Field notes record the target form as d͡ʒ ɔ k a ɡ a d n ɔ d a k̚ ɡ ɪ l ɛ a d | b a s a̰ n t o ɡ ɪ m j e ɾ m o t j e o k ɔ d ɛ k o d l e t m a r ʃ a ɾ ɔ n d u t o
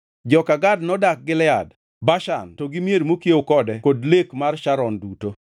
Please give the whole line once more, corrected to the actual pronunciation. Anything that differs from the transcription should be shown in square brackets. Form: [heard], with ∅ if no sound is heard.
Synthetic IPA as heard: d͡ʒ ɔ k a ɡ a d n ɔ d a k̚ ɡ ɪ l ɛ a d | b a [ʃ] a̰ n t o ɡ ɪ m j e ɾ m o [k] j e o k ɔ d ɛ k o d l e [k] m a r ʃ a ɾ ɔ n d u t o